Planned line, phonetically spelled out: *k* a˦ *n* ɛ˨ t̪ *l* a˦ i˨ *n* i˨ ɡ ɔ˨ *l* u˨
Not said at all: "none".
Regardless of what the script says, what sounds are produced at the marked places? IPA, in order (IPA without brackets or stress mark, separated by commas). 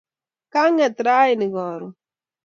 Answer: k, ŋ, ɾ, n, ɾ